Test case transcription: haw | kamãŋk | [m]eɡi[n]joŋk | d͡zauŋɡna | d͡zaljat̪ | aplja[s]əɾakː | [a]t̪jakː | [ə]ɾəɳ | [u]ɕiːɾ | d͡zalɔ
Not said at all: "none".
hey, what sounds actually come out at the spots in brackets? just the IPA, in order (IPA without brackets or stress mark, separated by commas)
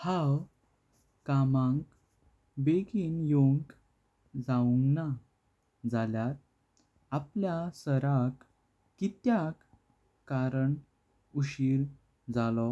b, n, s, i, a, u